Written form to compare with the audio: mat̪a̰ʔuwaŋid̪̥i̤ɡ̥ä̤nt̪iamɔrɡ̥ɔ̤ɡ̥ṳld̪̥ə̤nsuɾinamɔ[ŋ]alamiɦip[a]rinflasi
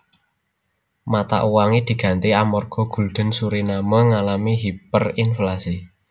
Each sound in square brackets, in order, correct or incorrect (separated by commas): correct, incorrect